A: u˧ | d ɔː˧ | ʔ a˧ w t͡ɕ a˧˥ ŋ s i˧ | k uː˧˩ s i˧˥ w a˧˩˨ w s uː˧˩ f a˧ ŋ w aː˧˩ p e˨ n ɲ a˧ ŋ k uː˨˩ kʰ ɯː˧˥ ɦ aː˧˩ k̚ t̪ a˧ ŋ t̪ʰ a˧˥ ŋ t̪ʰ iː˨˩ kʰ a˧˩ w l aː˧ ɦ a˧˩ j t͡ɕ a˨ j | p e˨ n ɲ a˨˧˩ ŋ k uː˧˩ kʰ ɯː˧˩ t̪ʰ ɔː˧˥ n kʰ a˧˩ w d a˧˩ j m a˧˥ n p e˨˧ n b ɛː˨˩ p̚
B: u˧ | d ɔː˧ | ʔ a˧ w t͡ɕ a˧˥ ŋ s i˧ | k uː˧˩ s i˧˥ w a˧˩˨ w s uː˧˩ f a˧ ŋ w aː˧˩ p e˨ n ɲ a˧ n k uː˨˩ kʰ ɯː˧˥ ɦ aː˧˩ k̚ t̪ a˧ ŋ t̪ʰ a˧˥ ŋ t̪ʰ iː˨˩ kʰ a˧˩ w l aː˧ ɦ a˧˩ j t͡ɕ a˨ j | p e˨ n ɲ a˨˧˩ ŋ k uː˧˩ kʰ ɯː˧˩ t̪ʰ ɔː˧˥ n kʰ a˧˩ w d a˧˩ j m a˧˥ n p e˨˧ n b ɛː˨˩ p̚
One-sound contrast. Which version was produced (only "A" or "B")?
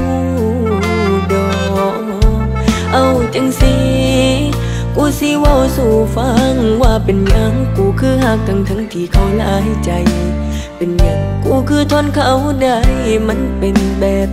A